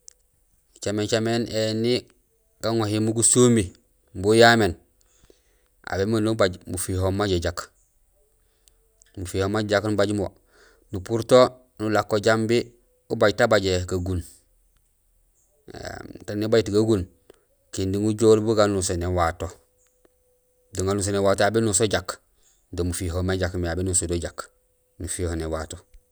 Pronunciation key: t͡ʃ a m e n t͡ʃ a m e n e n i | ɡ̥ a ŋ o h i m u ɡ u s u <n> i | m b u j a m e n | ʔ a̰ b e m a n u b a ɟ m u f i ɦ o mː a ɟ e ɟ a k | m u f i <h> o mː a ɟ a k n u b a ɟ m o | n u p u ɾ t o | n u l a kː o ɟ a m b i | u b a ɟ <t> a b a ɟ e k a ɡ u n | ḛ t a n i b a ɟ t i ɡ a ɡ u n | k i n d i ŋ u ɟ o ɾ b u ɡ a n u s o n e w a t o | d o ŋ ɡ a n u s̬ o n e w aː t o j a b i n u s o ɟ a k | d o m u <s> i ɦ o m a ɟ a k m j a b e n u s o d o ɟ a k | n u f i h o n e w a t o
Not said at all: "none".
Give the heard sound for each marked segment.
m, h, t, f

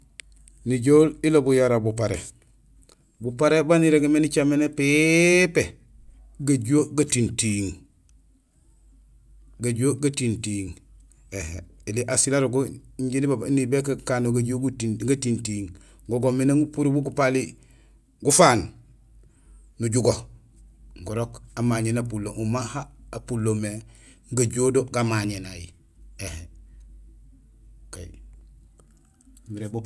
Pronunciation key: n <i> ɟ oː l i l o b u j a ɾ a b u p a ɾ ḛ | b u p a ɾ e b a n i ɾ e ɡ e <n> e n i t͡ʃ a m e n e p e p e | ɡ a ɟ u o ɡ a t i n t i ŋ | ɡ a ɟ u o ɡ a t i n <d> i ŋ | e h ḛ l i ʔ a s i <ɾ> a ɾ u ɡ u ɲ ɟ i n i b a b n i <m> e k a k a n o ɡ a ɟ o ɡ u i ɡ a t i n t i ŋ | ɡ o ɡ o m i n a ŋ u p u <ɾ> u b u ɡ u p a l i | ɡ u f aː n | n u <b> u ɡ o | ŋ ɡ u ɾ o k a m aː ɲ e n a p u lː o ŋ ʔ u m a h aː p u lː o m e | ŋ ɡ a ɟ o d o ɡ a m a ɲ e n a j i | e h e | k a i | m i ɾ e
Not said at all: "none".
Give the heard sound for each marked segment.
i, m, t, l, b, ɾ, ɟ

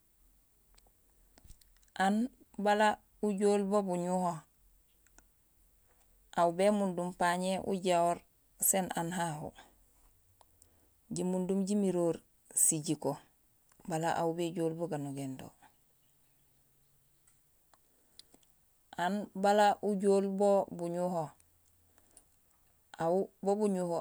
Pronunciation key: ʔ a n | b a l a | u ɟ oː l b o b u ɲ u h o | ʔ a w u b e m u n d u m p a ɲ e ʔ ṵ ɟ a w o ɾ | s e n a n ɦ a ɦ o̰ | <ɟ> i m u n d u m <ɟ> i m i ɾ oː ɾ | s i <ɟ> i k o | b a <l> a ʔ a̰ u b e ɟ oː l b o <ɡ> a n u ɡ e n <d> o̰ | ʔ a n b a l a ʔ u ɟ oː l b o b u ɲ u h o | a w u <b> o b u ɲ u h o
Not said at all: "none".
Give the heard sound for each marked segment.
ɟ, ɟ, ɟ, l, ɡ, d, b

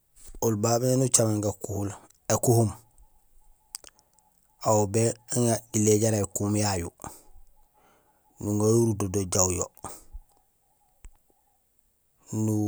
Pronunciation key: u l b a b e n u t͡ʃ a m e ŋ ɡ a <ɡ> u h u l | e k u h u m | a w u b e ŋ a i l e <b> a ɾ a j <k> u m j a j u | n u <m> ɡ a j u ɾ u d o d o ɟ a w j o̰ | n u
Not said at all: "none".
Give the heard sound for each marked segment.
k, ɟ, k, ŋ

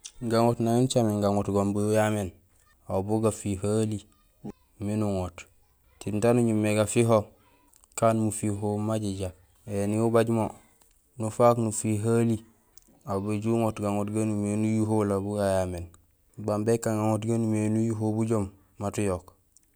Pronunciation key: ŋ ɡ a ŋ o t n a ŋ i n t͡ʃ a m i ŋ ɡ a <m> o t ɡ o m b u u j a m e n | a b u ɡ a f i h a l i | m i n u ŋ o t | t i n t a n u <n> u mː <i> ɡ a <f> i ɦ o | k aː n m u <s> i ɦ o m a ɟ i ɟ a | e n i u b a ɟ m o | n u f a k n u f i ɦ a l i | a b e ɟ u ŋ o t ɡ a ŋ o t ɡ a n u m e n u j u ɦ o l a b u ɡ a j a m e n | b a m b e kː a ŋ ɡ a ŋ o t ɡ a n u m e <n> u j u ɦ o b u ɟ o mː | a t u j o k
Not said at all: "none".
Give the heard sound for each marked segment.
ŋ, ɲ, e, f, f, n

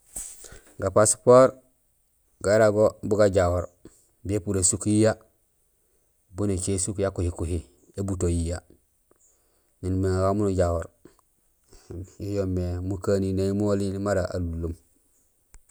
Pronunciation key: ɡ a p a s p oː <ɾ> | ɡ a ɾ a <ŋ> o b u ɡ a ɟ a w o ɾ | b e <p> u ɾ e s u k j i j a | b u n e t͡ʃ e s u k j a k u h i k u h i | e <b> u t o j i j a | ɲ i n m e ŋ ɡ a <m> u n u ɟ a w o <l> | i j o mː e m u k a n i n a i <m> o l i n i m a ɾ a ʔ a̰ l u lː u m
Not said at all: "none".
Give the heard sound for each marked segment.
ɾ, ɡ, p, b, m, ɾ, m

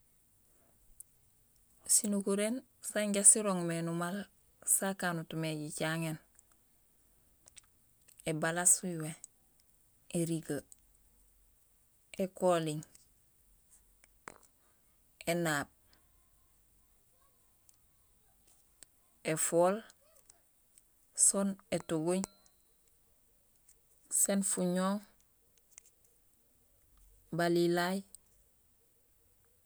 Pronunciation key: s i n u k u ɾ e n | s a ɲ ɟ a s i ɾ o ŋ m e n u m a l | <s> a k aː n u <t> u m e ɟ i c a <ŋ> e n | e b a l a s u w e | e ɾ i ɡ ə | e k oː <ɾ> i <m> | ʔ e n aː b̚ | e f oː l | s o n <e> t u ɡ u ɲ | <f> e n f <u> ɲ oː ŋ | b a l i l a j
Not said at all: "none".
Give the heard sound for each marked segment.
s, t, ŋ, l, ŋ, e, s, u

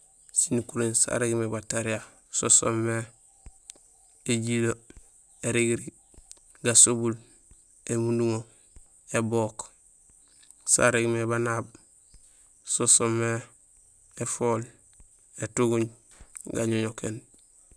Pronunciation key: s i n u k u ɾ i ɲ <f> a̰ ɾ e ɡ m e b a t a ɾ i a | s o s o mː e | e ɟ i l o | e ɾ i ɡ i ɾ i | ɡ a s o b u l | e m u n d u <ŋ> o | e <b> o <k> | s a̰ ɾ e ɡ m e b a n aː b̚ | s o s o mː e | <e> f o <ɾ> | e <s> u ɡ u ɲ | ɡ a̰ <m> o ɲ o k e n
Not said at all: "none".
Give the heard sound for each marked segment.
s, ŋ, b, k, e, l, t, ɲ

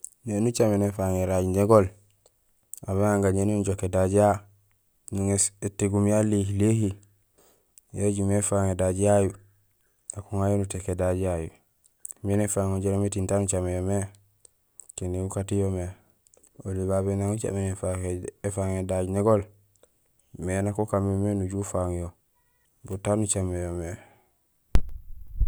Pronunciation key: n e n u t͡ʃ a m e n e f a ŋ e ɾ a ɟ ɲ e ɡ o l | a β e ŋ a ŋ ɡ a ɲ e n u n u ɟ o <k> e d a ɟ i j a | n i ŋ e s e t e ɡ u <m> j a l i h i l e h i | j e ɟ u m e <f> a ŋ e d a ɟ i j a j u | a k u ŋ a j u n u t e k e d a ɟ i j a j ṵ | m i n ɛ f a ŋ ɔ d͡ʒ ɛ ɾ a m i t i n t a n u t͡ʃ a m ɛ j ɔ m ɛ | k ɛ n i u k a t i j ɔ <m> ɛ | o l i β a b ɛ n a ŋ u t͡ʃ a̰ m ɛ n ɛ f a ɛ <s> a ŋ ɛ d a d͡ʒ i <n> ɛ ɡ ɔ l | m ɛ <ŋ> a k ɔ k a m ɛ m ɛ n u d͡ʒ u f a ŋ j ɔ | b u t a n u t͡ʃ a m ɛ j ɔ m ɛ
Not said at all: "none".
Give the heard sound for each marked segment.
k, m, f, m, f, n, n

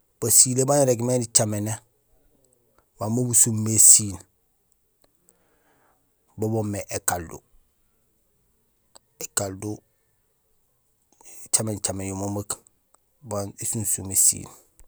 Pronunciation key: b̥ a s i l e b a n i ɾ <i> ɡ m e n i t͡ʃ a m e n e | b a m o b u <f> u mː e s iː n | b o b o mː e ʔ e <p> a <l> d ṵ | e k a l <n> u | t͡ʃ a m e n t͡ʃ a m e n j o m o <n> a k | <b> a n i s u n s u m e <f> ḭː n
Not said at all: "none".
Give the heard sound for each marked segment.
e, s, k, l, d, m, b, s

